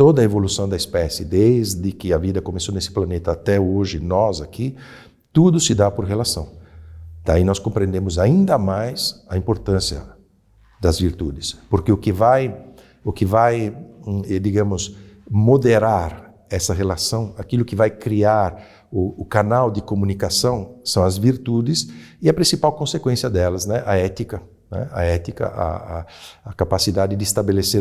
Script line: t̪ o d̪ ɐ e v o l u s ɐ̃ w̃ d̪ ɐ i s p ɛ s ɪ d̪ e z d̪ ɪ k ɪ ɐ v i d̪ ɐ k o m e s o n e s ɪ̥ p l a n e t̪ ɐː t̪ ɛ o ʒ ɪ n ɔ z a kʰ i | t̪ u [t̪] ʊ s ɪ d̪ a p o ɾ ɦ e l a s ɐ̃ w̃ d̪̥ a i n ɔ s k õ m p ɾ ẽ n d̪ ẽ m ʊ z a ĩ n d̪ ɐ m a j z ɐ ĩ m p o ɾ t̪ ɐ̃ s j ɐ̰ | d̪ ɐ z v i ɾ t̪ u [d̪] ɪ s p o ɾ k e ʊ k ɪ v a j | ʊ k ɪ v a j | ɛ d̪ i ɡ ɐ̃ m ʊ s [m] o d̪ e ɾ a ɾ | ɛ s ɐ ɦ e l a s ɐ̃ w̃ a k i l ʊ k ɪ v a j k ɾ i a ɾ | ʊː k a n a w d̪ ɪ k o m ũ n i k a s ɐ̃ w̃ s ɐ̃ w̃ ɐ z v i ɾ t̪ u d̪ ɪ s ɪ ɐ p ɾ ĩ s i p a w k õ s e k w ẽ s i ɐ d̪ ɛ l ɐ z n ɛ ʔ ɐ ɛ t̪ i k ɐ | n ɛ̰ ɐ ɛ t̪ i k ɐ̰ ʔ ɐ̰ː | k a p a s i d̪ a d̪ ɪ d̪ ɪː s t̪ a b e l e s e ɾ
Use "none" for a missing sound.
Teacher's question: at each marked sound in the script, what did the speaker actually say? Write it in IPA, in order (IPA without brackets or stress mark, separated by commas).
d̪, d̪, m